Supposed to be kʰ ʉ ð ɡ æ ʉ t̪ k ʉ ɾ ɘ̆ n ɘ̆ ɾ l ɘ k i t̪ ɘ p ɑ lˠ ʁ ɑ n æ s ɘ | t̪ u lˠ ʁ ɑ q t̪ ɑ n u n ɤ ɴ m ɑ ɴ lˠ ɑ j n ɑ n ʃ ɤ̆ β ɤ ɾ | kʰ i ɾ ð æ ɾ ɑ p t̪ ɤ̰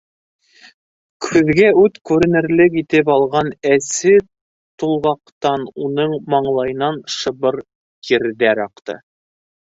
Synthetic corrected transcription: kʰ ʉ ð ɡ æ ʉ t̪ k ʉ ɾ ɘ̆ n ɘ̆ ɾ l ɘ k i t̪ ɘ p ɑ lˠ ʁ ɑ n æ s ɘ | t̪ u lˠ ʁ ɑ q t̪ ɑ n u n ɤ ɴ m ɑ ɴ lˠ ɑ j n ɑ n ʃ ɤ̆ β ɤ ɾ | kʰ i ɾ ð æ ɾ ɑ q t̪ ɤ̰

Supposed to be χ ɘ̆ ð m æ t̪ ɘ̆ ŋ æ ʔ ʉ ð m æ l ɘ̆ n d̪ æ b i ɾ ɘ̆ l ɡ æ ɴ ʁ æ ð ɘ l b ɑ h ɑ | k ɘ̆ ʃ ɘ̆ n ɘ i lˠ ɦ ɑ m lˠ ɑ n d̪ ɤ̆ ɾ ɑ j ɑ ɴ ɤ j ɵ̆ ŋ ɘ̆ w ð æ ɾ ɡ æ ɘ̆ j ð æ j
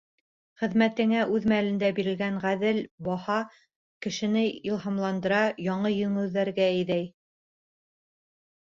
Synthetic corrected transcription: χ ɘ̆ ð m æ t̪ ɘ̆ ŋ æ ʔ ʉ ð m æ l ɘ̆ n d̪ æ b i ɾ ɘ̆ l ɡ æ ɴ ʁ æ ð ɘ l b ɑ h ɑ | k ɘ̆ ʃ ɘ̆ n ɘ i lˠ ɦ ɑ m lˠ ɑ n d̪ ɤ̆ ɾ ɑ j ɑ ɴ ɤ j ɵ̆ ŋ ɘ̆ w ð æ ɾ ɡ æ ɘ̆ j ð æ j

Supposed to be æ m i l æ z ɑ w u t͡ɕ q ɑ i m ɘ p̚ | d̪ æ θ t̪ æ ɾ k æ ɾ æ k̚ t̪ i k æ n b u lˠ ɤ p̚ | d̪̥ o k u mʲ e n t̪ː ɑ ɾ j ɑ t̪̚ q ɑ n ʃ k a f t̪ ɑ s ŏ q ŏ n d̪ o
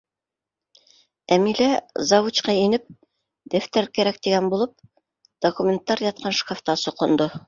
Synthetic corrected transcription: æ m i l æ z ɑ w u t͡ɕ q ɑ i n ɘ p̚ | d̪ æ f t̪ æ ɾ k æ ɾ æ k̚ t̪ i ɡ æ n b u lˠ ɤ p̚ | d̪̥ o k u mʲ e n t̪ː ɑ ɾ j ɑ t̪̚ q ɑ n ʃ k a f t̪ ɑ s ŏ q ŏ n d̪ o

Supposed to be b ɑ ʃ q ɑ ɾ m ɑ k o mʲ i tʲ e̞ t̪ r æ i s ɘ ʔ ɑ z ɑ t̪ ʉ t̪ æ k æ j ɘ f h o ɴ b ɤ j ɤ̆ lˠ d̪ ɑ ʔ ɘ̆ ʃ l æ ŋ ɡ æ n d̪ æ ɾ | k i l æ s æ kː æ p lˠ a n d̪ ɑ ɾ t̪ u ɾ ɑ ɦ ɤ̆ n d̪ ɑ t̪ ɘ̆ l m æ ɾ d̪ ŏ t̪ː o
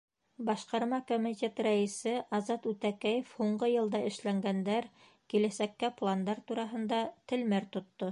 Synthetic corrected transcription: b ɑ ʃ q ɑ ɾ m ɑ k o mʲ i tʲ e̞ t̪ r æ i s ɘ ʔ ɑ z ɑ t̪ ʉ t̪ æ k æ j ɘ f h u ɴ ɢ ɤ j ɤ̆ lˠ d̪ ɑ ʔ ɘ̆ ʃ l æ ŋ ɡ æ n d̪ æ ɾ | k i l æ s æ kː æ p lˠ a n d̪ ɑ ɾ t̪ u ɾ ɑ ɦ ɤ̆ n d̪ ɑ t̪ ɘ̆ l m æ ɾ t̪ ŏ t̪ː o

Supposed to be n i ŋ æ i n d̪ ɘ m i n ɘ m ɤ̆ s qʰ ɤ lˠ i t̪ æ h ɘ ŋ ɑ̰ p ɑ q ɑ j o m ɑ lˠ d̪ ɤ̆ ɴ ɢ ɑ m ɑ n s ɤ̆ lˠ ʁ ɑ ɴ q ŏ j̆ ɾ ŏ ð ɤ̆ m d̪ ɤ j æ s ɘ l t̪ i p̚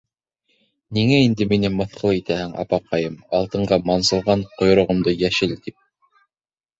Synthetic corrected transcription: n i ŋ æ i n d̪ ɘ m i n ɘ m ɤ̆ θ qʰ ɤ lˠ i t̪ æ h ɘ ŋ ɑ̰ p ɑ q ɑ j ɤ m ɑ lˠ t̪ ɤ̆ ɴ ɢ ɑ m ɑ n s ɤ̆ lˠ ʁ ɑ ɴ q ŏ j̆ ɾ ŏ ʁ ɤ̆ m d̪ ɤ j æ ʃ ɘ l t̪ i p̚

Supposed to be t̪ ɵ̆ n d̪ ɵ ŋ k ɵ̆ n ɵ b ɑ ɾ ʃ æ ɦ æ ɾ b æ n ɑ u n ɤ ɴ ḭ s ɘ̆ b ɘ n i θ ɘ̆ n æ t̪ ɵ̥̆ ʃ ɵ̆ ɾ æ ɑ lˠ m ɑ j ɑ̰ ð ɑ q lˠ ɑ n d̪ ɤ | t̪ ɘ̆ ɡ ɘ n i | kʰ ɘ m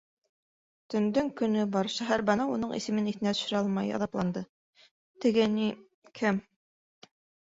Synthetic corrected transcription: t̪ ɵ̆ n d̪ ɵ ŋ k ɵ̆ n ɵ b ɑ ɾ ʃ æ ɦ æ ɾ b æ n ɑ u n ɤ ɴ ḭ s ɘ̆ m ɘ n i θ ɘ̆ n æ t̪ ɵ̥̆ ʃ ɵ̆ ɾ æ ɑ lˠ m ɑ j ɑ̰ ð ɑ p lˠ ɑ n d̪ ɤ | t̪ ɘ̆ ɡ ɘ n i | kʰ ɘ m

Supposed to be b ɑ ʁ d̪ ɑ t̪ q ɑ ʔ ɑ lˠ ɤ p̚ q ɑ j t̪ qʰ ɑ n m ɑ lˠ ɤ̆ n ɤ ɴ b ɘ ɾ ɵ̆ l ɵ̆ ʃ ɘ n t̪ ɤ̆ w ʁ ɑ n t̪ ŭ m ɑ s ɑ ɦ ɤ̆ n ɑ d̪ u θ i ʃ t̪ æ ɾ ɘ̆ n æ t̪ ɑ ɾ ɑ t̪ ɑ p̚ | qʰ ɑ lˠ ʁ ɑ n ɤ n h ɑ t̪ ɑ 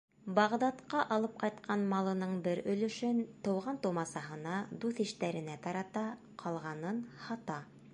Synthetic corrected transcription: b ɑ ʁ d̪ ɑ t̪ q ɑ ʔ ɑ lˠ ɤ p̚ q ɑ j t̪ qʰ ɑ n m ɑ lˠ ɤ̆ n ɤ ɴ b ɘ ɾ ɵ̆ l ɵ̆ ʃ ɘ n t̪ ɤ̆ w ʁ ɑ n t̪ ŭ m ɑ s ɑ ɦ ɤ̆ n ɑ d̪ u θ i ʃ t̪ æ ɾ ɘ̆ n æ t̪ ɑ ɾ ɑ t̪ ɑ | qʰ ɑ lˠ ʁ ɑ n ɤ n h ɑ t̪ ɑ

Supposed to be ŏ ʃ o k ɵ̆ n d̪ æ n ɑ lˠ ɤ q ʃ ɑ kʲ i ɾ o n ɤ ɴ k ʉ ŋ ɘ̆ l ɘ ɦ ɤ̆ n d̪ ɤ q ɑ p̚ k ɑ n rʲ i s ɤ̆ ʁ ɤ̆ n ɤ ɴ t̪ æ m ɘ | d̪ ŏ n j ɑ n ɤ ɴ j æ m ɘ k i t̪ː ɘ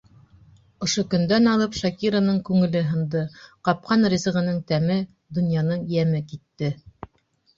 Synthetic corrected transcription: ŏ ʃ o k ɵ̆ n d̪ æ n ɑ lˠ ɤ p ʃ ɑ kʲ i ɾ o n ɤ ɴ k ʉ ŋ ɘ̆ l ɘ ɦ ɤ̆ n d̪ ɤ q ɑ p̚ q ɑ n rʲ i z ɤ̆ ʁ ɤ̆ n ɤ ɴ t̪ æ m ɘ | d̪ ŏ n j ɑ n ɤ ɴ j æ m ɘ k i t̪ː ɘ

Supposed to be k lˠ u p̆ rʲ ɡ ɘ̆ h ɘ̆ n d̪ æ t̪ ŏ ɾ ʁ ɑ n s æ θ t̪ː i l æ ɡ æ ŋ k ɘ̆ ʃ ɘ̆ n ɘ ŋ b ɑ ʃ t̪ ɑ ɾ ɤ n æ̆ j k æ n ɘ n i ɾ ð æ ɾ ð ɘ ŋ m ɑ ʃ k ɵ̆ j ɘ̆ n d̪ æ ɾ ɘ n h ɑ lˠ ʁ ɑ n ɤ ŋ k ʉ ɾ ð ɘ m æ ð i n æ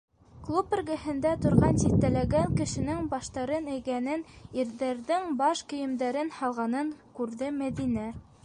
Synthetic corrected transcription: k lˠ u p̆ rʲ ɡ ɘ̆ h ɘ̆ n d̪ æ t̪ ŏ ɾ ʁ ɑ n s i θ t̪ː æ l æ ɡ æ ŋ k ɘ̆ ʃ ɘ̆ n ɘ ŋ b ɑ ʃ t̪ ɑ ɾ ɤ n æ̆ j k æ n ɘ n i ɾ ð æ ɾ ð ɘ ŋ b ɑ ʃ k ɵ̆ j ɘ̆ m d̪ æ ɾ ɘ n h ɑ lˠ ʁ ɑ n ɤ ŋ k ʉ ɾ ð ɘ m æ ð i n æ

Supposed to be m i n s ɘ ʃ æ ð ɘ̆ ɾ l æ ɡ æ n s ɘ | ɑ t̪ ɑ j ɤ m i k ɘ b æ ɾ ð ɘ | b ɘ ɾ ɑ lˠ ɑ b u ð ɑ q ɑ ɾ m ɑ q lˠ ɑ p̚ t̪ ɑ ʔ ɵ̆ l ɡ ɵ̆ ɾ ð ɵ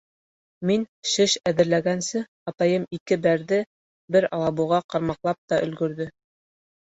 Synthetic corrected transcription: m i n ʃ ɘ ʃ æ ð ɘ̆ ɾ l æ ɡ æ n s ɘ | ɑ t̪ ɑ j ɤ m i k ɘ b æ ɾ ð ɘ | b ɘ ɾ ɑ lˠ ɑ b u ʁ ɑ q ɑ ɾ m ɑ q lˠ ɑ p̚ t̪ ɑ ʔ ɵ̆ l ɡ ɵ̆ ɾ ð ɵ

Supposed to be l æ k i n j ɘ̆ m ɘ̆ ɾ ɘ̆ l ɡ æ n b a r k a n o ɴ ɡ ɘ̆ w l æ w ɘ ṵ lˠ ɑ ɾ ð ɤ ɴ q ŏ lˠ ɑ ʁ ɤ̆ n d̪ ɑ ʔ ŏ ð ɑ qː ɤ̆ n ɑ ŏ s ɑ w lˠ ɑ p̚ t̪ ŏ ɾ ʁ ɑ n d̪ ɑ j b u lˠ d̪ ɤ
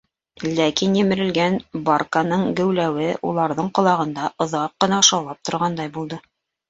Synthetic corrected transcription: l æ k i n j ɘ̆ m ɘ̆ ɾ ɘ̆ l ɡ æ n b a r k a n ɤ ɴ ɡ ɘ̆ w l æ w ɘ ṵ lˠ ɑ ɾ ð ɤ ɴ q ŏ lˠ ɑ ʁ ɤ̆ n d̪ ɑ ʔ ŏ ð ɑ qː ɤ̆ n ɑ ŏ ʃ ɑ w lˠ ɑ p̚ t̪ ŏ ɾ ʁ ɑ n d̪ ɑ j b u lˠ d̪ ɤ

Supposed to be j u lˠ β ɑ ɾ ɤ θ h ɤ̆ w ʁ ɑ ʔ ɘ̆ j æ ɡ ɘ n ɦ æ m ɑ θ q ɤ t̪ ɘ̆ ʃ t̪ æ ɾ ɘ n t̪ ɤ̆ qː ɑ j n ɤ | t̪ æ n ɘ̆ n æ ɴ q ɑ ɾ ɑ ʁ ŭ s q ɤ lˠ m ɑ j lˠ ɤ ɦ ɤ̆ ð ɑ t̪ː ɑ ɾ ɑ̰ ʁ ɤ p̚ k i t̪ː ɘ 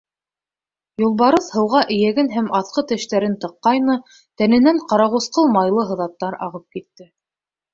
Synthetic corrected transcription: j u lˠ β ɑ ɾ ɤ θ h ɤ̆ w ʁ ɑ ʔ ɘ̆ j æ ɡ ɘ n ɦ æ m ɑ θ q ɤ t̪ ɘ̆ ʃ t̪ æ ɾ ɘ n t̪ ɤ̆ qː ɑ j n ɤ | t̪ æ n ɘ̆ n æ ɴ q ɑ ɾ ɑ ʁ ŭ s q ɤ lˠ m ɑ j lˠ ɤ ɦ ɤ̆ ð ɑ t̪ː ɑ ɾ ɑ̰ ʁ ɤ p̚ k i t̪ː ɘ

